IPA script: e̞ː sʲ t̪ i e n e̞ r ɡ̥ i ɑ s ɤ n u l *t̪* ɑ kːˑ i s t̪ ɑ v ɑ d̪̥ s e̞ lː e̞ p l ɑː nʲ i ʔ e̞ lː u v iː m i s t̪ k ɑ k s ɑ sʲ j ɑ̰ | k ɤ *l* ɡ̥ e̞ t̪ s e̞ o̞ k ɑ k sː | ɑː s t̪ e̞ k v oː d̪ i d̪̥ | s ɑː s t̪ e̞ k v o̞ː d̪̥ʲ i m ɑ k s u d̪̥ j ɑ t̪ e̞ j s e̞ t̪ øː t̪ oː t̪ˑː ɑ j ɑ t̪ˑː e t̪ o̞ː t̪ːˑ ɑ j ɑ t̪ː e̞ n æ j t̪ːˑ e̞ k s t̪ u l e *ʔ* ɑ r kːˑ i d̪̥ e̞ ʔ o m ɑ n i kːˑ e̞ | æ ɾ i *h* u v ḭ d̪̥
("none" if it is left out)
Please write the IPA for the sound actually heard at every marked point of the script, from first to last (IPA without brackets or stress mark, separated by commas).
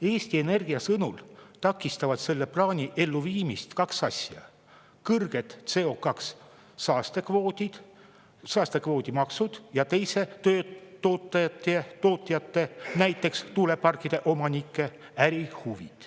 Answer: t̪, r, p, h